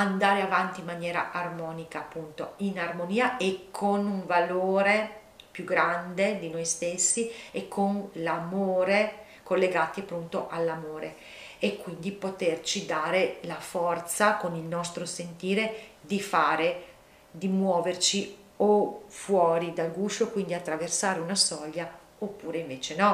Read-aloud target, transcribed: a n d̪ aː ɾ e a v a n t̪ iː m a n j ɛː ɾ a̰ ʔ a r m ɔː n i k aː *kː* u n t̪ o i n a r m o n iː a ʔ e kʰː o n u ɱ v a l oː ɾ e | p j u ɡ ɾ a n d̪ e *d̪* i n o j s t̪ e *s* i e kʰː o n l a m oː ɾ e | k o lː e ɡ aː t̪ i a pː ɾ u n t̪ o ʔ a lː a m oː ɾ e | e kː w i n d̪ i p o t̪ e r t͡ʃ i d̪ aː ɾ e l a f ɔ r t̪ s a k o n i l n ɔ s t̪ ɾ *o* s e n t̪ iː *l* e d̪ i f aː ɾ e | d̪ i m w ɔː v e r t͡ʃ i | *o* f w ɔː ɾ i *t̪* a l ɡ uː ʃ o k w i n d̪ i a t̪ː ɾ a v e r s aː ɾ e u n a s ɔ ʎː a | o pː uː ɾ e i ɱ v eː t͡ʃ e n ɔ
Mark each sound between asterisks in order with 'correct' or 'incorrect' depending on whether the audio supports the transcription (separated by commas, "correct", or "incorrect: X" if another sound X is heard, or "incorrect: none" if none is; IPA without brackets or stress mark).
incorrect: pː, correct, incorrect: sː, correct, incorrect: ɾ, correct, incorrect: d̪